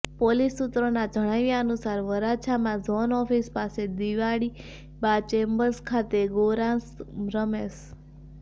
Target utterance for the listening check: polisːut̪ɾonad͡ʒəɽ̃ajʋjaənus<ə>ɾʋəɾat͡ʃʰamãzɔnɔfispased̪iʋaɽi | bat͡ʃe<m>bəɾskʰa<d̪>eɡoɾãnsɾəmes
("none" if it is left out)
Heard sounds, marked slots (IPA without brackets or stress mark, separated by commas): a, m, t̪